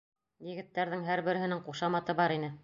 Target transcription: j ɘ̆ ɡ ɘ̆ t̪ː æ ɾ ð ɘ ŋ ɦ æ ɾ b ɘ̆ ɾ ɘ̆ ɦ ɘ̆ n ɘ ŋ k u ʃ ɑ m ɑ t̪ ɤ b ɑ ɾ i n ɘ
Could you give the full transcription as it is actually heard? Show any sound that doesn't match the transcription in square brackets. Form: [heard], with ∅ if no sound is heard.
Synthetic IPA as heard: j ɘ̆ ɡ ɘ̆ t̪ː æ ɾ ð ɘ ŋ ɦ æ ɾ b ɘ̆ ɾ ɘ̆ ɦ ɘ̆ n ɘ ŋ [q] u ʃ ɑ m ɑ t̪ ɤ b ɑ ɾ i n ɘ